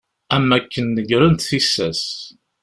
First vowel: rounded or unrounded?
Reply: unrounded